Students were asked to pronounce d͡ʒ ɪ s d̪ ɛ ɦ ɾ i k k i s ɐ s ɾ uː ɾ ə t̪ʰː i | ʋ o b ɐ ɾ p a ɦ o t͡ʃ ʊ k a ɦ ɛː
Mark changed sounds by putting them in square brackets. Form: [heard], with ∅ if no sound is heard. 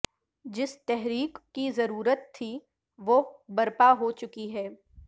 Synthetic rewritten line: d͡ʒ ɪ s [t̪] ɛ ɦ ɾ [iː] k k i [z] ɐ [∅] ɾ uː ɾ ə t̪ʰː i | ʋ o b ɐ ɾ p a ɦ o t͡ʃ ʊ k [i] ɦ ɛː